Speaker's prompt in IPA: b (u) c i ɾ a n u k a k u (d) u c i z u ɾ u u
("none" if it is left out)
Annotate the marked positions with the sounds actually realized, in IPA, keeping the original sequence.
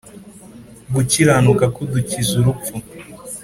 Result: u, d

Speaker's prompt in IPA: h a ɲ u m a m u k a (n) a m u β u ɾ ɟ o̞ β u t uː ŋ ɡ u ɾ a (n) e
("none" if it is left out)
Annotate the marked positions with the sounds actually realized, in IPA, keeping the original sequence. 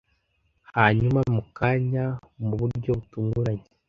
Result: ɲ, ɲ

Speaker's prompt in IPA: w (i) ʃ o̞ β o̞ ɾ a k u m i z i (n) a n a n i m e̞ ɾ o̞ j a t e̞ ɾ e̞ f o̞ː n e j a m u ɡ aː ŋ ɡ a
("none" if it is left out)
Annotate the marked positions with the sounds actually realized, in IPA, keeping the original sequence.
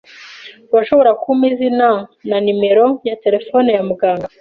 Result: a, n

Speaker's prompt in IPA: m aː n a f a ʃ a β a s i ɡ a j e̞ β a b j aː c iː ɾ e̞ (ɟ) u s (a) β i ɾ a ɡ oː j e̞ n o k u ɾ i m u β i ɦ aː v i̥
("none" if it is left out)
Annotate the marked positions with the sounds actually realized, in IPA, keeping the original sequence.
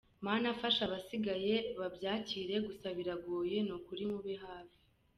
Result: ɡ, a

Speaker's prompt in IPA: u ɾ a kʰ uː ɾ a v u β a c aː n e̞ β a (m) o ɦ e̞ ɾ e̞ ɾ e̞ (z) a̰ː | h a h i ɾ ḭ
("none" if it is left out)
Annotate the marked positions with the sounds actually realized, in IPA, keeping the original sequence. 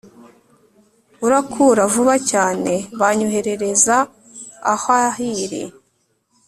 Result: ɲ, z

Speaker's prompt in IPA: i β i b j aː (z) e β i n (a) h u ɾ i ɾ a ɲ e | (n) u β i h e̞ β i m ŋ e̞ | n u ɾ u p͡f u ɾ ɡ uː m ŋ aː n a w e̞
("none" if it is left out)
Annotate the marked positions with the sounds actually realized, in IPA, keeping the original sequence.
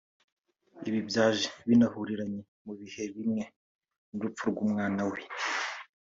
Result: ʒ, a, m

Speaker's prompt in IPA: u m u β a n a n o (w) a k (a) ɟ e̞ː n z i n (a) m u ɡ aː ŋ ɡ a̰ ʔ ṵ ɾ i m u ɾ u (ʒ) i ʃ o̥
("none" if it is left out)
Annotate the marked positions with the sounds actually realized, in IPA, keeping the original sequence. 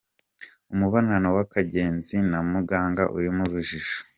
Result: w, a, a, ʒ

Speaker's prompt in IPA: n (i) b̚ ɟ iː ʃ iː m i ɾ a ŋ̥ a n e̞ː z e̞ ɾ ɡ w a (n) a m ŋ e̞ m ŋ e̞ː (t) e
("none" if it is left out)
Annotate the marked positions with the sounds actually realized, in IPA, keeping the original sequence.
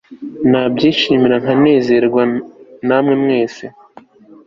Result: a, n, s

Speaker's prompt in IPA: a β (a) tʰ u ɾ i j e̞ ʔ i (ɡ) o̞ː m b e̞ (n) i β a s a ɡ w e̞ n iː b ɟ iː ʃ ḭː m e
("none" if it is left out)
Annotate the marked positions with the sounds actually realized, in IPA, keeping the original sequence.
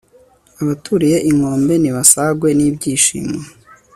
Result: a, ŋ, n

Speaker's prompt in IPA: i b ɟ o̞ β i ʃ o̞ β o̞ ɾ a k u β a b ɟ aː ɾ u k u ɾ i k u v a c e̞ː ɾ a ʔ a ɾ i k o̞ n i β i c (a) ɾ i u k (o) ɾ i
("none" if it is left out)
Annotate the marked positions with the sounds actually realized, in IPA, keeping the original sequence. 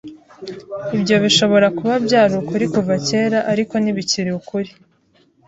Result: i, u

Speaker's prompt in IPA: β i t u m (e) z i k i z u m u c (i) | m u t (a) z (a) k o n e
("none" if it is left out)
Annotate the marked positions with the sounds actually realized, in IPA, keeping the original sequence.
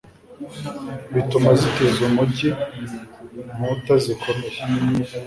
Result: a, i, a, i

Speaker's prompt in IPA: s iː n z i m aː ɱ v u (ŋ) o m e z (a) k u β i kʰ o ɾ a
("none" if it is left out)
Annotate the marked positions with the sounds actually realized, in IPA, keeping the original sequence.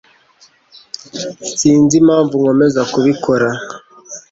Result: ŋ, a

